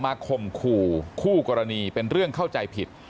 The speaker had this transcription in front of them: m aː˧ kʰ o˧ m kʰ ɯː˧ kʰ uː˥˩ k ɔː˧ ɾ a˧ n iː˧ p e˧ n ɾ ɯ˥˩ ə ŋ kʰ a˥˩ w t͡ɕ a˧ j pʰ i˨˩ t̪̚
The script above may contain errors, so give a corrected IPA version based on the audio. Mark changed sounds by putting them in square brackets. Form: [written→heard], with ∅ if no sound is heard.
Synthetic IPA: m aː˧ kʰ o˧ m kʰ [ɯː˧→uː˧] kʰ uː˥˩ k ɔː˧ ɾ a˧ n iː˧ p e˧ n ɾ ɯ˥˩ ə ŋ kʰ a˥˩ w t͡ɕ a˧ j pʰ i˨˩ t̪̚